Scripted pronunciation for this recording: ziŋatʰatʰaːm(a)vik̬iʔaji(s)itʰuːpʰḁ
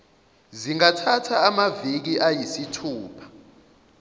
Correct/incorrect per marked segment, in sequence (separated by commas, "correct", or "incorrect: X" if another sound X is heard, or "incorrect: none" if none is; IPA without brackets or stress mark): correct, correct